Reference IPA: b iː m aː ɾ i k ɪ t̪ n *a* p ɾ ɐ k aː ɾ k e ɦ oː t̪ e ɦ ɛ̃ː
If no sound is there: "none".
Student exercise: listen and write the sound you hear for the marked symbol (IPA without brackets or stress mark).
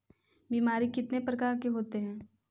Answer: e